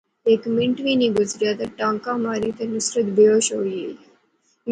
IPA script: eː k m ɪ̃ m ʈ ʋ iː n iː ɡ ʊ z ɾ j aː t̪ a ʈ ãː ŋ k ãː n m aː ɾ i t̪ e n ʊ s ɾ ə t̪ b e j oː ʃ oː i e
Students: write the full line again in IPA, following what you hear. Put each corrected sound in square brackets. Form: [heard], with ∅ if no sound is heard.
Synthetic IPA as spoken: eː k m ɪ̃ [ɳ] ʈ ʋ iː n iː ɡ ʊ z ɾ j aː t̪ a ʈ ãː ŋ k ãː [∅] m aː ɾ i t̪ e n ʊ s ɾ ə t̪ b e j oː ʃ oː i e